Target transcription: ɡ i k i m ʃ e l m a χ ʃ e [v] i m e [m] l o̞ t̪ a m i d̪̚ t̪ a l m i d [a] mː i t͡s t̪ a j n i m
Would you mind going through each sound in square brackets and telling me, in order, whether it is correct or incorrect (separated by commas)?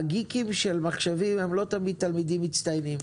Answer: correct, correct, incorrect